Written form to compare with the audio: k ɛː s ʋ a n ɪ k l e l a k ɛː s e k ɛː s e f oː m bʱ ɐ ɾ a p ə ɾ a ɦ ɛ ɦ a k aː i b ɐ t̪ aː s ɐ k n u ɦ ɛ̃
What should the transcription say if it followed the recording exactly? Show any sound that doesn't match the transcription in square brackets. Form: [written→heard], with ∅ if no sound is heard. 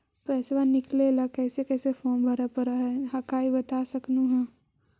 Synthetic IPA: [k→p] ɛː s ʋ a n ɪ k l e l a k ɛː s e k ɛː s e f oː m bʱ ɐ ɾ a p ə ɾ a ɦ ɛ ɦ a k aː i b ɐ t̪ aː s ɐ k n u ɦ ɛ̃